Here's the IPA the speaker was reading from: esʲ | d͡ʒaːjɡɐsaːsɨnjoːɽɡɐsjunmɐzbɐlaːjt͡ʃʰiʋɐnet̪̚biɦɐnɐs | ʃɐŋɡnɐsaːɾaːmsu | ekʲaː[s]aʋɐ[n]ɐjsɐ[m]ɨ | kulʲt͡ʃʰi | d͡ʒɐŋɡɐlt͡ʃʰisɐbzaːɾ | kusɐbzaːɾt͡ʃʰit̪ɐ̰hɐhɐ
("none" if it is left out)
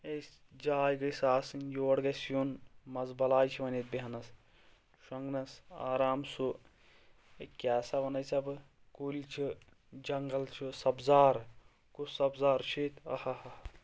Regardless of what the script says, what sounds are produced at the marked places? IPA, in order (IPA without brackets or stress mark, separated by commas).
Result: s, n, b